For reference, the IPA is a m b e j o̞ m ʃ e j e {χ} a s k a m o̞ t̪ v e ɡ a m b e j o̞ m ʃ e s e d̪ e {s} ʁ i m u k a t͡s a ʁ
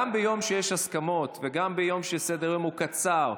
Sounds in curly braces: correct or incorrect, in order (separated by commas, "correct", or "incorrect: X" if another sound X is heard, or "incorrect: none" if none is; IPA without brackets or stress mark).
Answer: incorrect: ʃ, incorrect: none